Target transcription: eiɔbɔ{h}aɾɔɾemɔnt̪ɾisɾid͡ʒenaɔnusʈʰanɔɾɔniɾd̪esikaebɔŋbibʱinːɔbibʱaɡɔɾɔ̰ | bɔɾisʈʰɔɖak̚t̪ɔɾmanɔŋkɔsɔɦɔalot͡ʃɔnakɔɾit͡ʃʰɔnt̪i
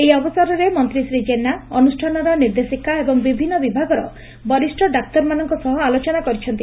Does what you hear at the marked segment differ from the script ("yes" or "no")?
yes